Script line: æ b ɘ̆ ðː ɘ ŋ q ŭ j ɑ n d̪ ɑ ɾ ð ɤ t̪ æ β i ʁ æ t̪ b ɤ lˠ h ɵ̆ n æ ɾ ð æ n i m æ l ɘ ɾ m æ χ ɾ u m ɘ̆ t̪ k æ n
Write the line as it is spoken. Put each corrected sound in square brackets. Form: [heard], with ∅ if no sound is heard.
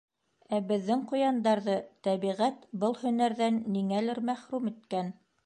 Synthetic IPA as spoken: æ b ɘ̆ ðː ɘ ŋ q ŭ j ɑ n d̪ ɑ ɾ ð ɤ t̪ æ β i ʁ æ t̪ b ɤ lˠ h ɵ̆ n æ ɾ ð æ [nː] i [ŋ] æ l ɘ ɾ m æ χ ɾ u m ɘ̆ t̪ k æ n